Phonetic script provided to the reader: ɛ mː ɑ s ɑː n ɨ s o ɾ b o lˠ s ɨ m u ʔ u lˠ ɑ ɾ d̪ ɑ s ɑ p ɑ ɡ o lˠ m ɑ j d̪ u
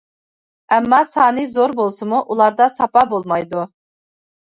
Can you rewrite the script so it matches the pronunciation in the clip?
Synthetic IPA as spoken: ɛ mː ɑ s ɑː n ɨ z o ɾ b o lˠ s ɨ m u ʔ u lˠ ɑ ɾ d̪ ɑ s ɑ p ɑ b o lˠ m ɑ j d̪ u